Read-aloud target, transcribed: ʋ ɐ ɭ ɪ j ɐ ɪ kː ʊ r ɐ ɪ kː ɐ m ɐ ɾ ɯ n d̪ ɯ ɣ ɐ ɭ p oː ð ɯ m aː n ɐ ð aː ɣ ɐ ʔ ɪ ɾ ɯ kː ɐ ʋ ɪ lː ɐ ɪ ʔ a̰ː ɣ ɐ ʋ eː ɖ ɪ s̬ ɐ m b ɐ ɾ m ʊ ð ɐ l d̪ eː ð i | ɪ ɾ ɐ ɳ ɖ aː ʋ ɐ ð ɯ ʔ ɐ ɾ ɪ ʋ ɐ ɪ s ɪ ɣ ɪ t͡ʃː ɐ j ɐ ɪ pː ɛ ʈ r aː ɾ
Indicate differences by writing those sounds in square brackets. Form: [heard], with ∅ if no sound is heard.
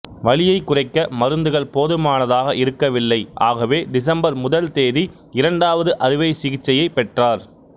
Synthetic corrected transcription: ʋ ɐ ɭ ɪ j ɐ ɪ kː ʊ r ɐ ɪ kː ɐ m ɐ ɾ ɯ n d̪ ɯ ɣ ɐ ɭ p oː ð ɯ m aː n ɐ ð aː ɣ ɐ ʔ ɪ ɾ ɯ kː ɐ ʋ ɪ lː ɐ ɪ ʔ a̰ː ɣ ɐ ʋ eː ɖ ɪ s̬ ɐ m b ɐ ɾ m ʊ ð ɐ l [t̪] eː ð i | ɪ ɾ ɐ ɳ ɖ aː ʋ ɐ ð ɯ ʔ ɐ ɾ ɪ ʋ ɐ ɪ s ɪ ɣ ɪ t͡ʃː ɐ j ɐ ɪ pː ɛ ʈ r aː ɾ

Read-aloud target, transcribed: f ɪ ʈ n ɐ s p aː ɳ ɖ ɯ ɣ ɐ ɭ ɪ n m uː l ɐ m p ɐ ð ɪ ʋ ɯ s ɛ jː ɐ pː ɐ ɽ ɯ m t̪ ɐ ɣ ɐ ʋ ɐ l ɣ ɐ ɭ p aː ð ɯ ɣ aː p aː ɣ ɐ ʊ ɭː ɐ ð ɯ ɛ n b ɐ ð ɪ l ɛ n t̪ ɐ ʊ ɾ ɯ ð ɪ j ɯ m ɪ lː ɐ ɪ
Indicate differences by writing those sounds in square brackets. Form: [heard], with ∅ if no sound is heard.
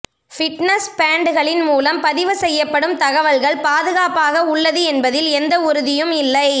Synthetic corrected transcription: f ɪ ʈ n ɐ s p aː ɳ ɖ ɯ ɣ ɐ ɭ ɪ n m uː l ɐ m p ɐ ð ɪ ʋ ɯ s ɛ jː ɐ pː ɐ ɽ ɯ m t̪ ɐ ɣ ɐ ʋ ɐ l ɣ ɐ ɭ p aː ð ɯ ɣ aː p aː ɣ ɐ ʊ ɭː ɐ ð ɯ ɛ n b ɐ ð ɪ l ɛ n [d̪] ɐ ʊ ɾ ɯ ð ɪ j ɯ m ɪ lː ɐ ɪ

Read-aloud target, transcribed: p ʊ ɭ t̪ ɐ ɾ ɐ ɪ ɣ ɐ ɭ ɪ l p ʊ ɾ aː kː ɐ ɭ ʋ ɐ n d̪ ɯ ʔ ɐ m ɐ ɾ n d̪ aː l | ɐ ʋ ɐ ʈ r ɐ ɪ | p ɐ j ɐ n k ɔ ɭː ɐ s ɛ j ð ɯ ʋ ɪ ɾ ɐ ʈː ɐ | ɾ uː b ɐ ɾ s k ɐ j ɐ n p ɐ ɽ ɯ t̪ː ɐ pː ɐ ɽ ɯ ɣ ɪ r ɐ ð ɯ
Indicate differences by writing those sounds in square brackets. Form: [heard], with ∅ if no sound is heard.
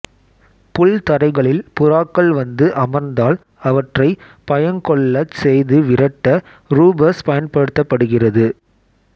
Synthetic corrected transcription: p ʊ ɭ t̪ ɐ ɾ ɐ ɪ ɣ ɐ ɭ ɪ l p ʊ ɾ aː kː ɐ ɭ ʋ ɐ n d̪ ɯ ʔ ɐ m ɐ ɾ n d̪ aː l | ɐ ʋ ɐ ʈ r ɐ ɪ | p ɐ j ɐ n k ɔ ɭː ɐ s ɛ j ð ɯ ʋ ɪ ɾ ɐ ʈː ɐ | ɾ uː b ɐ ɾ s [p] ɐ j ɐ n p ɐ ɽ ɯ t̪ː ɐ pː ɐ ɽ ɯ ɣ ɪ r ɐ ð ɯ

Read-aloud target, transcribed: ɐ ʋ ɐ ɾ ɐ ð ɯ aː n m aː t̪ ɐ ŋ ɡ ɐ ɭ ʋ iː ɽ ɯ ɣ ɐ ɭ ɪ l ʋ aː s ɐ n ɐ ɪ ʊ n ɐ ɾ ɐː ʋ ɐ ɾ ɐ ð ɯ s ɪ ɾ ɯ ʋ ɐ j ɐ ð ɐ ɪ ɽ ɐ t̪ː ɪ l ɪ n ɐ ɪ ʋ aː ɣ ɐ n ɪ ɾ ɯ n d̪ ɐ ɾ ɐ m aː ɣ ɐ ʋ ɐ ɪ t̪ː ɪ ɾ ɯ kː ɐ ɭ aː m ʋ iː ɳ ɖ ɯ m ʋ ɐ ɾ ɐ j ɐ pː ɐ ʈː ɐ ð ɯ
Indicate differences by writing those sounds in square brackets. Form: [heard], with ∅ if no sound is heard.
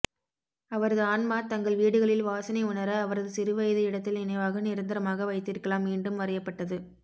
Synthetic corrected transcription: ɐ ʋ ɐ ɾ ɐ ð ɯ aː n m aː t̪ ɐ ŋ ɡ ɐ ɭ ʋ iː ɽ ɯ ɣ ɐ ɭ ɪ l ʋ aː s ɐ n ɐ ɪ ʊ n ɐ ɾ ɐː ʋ ɐ ɾ ɐ ð ɯ s ɪ ɾ ɯ ʋ ɐ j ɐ ð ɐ ɪ ɽ ɐ t̪ː ɪ l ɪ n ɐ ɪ ʋ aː ɣ ɐ n ɪ ɾ ɯ n d̪ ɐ ɾ ɐ m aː ɣ ɐ ʋ ɐ ɪ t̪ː ɪ ɾ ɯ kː ɐ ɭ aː m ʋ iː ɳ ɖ ɯ m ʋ ɐ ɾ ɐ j ɐ pː ɐ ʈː ɐ ð ɯ

